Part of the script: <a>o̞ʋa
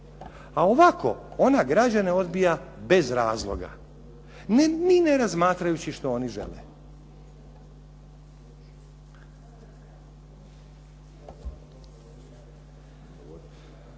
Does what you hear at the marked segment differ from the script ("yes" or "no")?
no